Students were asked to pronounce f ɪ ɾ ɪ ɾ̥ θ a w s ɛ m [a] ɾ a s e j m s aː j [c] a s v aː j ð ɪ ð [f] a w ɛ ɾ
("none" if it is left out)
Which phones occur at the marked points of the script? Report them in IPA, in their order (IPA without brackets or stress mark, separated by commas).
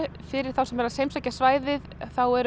ɛ, c, θ